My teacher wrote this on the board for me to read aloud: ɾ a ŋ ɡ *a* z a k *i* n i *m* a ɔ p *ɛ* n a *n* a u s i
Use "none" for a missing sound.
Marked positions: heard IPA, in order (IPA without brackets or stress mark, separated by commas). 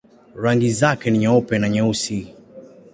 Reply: i, ɛ, ɲ, ɛ, ɲ